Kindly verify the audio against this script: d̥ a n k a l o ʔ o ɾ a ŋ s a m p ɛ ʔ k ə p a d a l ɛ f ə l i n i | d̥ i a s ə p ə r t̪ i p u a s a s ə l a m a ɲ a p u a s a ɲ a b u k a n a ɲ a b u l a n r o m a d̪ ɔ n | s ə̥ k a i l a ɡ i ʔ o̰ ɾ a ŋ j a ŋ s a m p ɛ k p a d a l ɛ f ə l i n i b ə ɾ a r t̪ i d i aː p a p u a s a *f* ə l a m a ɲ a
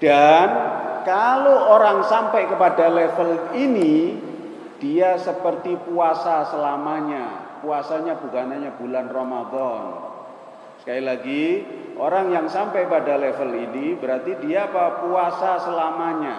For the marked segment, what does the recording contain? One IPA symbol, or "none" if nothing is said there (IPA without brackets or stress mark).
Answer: s